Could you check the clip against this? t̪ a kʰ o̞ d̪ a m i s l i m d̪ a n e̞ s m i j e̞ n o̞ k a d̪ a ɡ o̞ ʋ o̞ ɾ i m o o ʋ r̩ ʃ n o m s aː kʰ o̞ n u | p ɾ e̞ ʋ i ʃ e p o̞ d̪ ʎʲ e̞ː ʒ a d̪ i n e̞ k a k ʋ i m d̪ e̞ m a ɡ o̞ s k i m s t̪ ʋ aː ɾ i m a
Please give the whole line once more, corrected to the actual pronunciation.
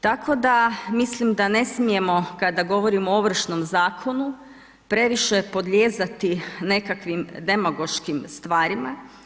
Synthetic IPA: t̪ a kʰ o̞ d̪ a m i s l i m d̪ a n e̞ s m i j e̞ m o̞ k a d̪ a ɡ o̞ ʋ o̞ ɾ i m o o ʋ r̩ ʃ n o m z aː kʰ o̞ n u | p ɾ e̞ ʋ i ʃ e p o̞ d̪ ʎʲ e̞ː z a t̪ i n e̞ k a k ʋ i m d̪ e̞ m a ɡ o̞ ʃ k i m s t̪ ʋ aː ɾ i m a

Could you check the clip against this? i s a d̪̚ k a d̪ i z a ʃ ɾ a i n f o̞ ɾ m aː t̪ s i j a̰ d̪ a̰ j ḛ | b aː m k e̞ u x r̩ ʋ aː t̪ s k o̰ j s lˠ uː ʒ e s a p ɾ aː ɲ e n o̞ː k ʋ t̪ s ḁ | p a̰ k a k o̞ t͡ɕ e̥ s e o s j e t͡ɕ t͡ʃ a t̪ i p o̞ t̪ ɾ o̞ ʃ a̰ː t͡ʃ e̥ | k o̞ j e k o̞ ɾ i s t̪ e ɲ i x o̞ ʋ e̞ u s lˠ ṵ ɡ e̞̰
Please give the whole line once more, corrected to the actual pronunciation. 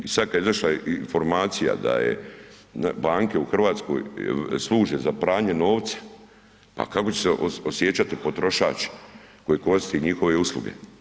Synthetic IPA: i s a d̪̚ k a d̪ i z a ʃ l a i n f o̞ ɾ m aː t̪ s i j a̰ d̪ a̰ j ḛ | b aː ŋ k e̞ u x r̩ ʋ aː t̪ s k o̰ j s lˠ uː ʒ e z a p ɾ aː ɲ e n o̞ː ʋ t̪ s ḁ | p a̰ k a k o̞ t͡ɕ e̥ s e o s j e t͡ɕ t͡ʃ a t̪ i p o̞ t̪ ɾ o̞ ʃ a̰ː t͡ʃ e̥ | k o̞ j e k o̞ ɾ i s t̪ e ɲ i x o̞ ʋ e̞ u s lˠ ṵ ɡ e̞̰

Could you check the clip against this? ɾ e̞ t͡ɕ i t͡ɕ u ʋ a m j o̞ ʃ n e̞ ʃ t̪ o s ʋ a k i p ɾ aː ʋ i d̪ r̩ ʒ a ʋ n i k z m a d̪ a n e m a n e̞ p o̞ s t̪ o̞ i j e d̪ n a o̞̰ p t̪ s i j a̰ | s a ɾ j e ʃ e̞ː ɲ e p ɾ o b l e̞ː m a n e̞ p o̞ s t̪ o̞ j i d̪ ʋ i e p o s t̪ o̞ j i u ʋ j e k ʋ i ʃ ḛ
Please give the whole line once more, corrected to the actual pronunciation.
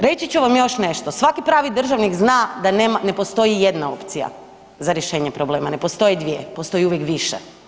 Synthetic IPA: ɾ e̞ t͡ɕ i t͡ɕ u ʋ a m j o̞ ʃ n e̞ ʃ t̪ o s ʋ a k i p ɾ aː ʋ i d̪ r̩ ʒ a ʋ n i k z n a d̪ a n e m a n e̞ p o̞ s t̪ o̞ i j e d̪ n a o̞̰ p t̪ s i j a̰ | z a ɾ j e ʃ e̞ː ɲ e p ɾ o b l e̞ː m a n e̞ p o̞ s t̪ o̞ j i d̪ ʋ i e p o s t̪ o̞ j i u ʋ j e k ʋ i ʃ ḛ

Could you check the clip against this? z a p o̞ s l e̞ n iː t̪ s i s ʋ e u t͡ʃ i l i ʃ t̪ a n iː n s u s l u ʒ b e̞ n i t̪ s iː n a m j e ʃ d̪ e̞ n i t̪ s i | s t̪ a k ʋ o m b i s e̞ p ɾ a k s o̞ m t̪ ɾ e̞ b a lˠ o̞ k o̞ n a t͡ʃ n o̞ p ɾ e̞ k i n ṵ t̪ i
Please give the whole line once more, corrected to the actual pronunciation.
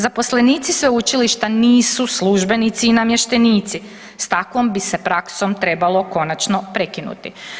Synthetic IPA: z a p o̞ s l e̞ n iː t̪ s i s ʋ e u t͡ʃ i l i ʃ t̪ a n iː s u s l u ʒ b e̞ n i t̪ s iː n a m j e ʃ t̪ e̞ n iː t̪ s i | s t̪ a k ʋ o m b i s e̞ p ɾ a k s o̞ m t̪ ɾ e̞ b a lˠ o̞ k o̞ n a t͡ʃ n o̞ p ɾ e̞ k i n ṵ t̪ i

